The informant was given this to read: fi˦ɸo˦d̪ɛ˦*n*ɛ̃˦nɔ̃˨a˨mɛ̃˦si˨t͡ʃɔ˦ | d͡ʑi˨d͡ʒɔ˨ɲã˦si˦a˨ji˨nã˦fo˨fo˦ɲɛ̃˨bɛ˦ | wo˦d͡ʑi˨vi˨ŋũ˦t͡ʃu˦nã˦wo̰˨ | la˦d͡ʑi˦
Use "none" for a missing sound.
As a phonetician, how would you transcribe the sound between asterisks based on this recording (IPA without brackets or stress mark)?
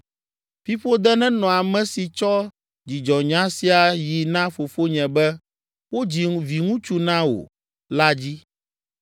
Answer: n